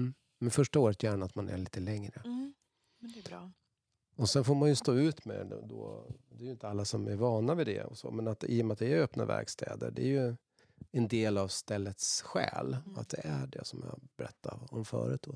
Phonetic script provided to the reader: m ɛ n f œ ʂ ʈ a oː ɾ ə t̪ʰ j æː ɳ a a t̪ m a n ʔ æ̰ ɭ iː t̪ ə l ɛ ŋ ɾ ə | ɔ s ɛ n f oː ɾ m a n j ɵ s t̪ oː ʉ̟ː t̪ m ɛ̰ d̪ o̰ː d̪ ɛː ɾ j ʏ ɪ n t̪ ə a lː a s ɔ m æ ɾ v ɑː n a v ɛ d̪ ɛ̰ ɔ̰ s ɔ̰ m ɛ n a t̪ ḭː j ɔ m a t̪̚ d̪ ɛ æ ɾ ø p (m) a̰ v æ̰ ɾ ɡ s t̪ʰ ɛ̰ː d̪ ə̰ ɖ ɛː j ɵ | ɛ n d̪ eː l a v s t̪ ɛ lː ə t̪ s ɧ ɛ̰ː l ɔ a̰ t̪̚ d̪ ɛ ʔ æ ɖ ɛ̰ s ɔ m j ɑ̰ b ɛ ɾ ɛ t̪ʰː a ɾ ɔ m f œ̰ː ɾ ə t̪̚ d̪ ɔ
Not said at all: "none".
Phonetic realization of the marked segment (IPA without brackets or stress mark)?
n